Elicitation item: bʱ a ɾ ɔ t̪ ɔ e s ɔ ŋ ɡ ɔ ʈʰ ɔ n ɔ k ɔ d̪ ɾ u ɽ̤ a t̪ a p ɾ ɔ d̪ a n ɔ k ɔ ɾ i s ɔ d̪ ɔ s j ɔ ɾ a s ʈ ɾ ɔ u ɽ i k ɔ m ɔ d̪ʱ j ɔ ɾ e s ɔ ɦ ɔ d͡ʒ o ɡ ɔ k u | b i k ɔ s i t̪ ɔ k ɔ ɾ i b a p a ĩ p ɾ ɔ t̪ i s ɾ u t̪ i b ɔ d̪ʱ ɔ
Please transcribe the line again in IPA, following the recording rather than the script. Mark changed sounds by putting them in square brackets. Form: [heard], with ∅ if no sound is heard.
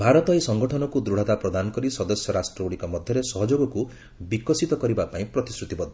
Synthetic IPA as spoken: bʱ a ɾ ɔ t̪ ɔ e s ɔ ŋ ɡ ɔ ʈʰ ɔ n ɔ k [u] d̪ ɾ u ɽ̤ a t̪ a p ɾ ɔ d̪ a n ɔ k ɔ ɾ i s ɔ d̪ ɔ s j ɔ ɾ a s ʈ ɾ ɔ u ɽ i k ɔ m ɔ d̪ʱ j ɔ ɾ e s ɔ ɦ ɔ d͡ʒ o ɡ ɔ k u | b i k ɔ s i t̪ ɔ k ɔ ɾ i b a p a ĩ p ɾ ɔ t̪ i s ɾ u t̪ i b ɔ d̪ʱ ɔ